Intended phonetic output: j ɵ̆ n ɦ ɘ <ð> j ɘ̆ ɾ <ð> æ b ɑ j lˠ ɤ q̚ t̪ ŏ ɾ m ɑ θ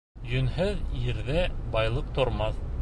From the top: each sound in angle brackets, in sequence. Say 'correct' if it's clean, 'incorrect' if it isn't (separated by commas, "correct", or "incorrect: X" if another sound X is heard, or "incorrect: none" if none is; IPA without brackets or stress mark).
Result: correct, correct